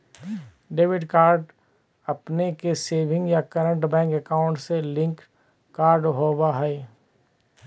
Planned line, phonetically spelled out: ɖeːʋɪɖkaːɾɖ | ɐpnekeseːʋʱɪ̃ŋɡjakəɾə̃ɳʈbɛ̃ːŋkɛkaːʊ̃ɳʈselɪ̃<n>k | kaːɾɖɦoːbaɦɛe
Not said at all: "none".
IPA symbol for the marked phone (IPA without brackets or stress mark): ŋ